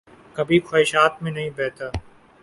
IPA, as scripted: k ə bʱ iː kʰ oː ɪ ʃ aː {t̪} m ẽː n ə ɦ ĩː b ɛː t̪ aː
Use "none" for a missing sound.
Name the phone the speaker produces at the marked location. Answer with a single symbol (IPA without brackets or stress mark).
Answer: t̪